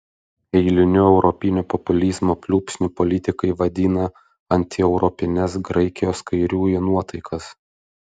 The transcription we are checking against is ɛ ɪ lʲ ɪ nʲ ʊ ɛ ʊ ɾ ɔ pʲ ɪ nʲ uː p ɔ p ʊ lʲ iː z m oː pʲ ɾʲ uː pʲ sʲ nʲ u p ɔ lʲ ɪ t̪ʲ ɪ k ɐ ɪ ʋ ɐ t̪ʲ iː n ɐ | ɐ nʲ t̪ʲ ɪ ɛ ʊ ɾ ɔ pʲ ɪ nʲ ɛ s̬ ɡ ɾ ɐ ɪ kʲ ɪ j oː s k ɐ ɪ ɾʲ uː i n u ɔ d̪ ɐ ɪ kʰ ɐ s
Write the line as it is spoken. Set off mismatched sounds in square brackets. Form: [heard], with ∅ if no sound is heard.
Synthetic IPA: ɛ ɪ lʲ ɪ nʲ ʊ ɛ ʊ ɾ ɔ pʲ ɪ nʲ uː p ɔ p ʊ lʲ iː z m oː pʲ [lʲ] uː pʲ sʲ nʲ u p ɔ lʲ ɪ t̪ʲ ɪ k ɐ ɪ ʋ ɐ [d̪ʲ] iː n ɐ | ɐ nʲ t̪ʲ ɪ ɛ ʊ ɾ ɔ pʲ ɪ nʲ ɛ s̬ ɡ ɾ ɐ ɪ kʲ ɪ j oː s k ɐ ɪ ɾʲ uː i n u ɔ [t̪] ɐ ɪ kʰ ɐ s